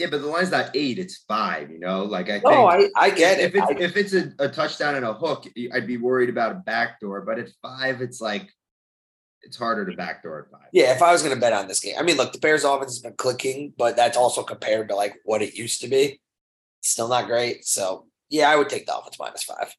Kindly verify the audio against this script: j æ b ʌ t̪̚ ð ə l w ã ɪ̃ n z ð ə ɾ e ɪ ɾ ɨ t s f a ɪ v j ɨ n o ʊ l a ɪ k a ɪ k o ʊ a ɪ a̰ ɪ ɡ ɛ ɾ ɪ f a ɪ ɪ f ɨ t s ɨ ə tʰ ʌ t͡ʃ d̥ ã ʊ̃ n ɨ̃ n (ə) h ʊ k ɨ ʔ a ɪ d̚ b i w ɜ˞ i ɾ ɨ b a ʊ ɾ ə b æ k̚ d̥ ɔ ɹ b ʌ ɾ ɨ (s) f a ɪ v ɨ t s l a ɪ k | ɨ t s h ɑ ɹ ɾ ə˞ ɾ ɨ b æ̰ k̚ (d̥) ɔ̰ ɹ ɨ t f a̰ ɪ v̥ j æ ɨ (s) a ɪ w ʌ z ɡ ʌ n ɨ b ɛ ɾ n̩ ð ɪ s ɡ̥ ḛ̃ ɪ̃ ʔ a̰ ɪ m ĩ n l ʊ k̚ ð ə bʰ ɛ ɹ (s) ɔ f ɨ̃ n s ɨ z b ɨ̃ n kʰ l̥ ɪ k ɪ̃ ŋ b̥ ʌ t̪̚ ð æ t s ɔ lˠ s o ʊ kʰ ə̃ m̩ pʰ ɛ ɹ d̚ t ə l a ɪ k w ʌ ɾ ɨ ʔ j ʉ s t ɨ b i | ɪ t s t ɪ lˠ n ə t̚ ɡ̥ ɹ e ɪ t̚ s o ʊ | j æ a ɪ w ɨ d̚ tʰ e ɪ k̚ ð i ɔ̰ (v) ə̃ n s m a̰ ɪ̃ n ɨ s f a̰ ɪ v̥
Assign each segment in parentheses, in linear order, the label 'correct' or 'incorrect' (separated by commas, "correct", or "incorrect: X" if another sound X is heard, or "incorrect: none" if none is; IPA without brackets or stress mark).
correct, incorrect: t, correct, incorrect: f, incorrect: z, incorrect: f